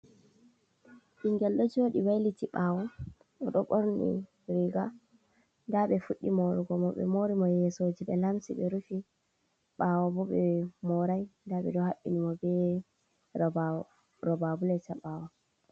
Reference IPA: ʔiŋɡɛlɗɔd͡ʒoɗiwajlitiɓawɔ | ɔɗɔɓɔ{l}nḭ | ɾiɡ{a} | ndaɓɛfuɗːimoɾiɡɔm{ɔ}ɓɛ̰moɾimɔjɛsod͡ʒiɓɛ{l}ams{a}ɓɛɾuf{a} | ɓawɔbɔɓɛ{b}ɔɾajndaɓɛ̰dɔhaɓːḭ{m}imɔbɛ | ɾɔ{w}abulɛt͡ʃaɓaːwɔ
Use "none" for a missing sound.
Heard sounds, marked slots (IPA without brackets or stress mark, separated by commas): ɾ, a, ɔ, l, i, i, m, n, b